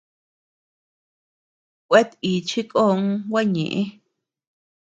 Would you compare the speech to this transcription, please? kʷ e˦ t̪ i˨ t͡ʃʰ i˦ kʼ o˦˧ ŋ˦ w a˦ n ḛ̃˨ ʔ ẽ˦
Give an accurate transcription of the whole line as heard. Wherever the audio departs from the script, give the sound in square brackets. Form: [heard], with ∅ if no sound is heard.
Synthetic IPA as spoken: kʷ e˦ t̪ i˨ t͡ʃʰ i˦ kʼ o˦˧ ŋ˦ w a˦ [ɲ] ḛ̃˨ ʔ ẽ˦